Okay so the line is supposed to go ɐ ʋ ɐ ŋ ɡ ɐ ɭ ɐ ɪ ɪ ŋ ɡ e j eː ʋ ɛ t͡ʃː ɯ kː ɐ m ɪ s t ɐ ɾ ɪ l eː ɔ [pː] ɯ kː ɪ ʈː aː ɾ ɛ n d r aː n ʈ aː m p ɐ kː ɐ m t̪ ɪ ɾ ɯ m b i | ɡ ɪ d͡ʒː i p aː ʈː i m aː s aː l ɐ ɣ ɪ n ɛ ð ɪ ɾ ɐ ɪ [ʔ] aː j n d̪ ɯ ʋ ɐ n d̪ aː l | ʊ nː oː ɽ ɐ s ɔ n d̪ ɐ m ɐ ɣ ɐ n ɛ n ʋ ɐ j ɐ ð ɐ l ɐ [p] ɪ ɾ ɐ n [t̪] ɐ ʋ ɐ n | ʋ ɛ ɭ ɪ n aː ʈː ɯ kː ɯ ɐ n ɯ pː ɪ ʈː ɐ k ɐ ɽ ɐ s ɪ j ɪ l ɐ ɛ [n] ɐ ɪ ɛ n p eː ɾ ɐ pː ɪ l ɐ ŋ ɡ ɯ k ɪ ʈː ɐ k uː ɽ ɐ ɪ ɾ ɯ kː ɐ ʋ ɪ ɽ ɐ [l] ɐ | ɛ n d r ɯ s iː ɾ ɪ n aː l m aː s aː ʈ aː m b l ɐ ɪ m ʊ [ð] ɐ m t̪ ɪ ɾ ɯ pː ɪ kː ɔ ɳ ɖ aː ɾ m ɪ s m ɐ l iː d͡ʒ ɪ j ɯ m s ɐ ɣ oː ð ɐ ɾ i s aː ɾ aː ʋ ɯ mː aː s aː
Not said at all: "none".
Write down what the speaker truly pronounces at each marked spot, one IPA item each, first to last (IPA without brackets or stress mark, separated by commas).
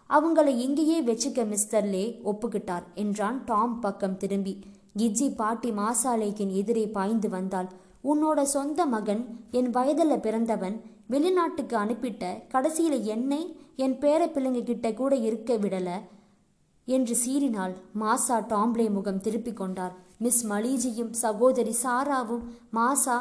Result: pː, p, p, d̪, nː, l, ɣ